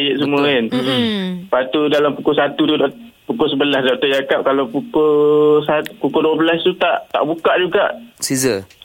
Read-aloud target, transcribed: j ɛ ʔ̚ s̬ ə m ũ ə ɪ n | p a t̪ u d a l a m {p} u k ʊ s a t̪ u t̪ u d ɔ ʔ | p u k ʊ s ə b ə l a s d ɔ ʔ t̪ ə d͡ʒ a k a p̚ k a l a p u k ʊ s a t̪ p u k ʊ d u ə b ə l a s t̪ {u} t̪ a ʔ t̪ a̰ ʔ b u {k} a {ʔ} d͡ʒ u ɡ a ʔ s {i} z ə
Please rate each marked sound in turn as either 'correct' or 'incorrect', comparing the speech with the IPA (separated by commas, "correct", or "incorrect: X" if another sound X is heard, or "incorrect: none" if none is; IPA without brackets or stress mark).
correct, correct, correct, correct, correct